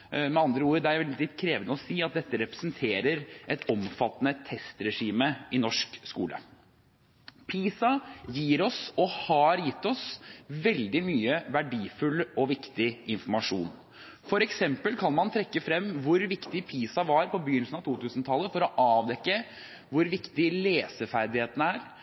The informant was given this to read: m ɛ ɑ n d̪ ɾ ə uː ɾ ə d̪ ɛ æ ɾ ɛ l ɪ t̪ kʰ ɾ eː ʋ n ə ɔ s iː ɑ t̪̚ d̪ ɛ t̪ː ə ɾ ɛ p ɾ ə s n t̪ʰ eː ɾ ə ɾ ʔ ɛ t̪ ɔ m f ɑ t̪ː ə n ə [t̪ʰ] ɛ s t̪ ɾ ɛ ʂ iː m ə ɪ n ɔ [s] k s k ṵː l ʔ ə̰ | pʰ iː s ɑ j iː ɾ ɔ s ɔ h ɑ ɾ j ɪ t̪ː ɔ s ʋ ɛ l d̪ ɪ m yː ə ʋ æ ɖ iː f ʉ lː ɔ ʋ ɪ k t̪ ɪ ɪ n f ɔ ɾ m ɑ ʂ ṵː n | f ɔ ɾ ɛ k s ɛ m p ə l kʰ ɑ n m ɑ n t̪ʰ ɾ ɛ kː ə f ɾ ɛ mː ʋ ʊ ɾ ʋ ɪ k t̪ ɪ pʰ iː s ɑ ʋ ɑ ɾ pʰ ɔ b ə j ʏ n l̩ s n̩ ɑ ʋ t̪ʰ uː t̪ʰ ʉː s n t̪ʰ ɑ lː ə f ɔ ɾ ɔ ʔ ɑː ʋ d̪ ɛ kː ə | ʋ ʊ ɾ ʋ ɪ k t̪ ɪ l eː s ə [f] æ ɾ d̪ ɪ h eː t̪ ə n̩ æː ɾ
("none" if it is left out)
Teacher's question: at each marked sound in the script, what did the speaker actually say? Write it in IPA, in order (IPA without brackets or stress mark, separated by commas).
t̪ʰ, ʂ, f